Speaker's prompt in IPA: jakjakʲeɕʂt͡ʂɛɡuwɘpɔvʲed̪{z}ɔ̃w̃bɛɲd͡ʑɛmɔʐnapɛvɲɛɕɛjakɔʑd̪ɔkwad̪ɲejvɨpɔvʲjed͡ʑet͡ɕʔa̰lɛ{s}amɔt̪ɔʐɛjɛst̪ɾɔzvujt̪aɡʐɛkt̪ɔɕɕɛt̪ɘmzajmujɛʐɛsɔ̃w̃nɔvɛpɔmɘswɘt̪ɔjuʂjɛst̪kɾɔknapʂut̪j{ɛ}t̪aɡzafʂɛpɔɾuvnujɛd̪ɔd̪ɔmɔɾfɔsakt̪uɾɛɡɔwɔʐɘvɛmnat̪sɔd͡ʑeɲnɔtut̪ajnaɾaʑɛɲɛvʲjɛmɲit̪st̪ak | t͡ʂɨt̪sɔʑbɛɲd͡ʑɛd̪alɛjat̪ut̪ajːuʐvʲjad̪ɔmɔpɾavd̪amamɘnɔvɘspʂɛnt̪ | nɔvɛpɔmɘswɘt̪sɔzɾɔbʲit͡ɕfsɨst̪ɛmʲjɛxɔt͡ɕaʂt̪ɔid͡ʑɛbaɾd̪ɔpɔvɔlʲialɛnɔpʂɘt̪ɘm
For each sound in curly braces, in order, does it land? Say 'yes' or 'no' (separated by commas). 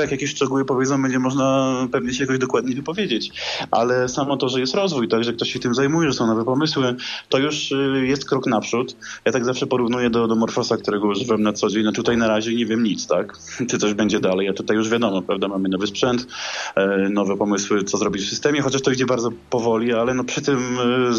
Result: yes, yes, no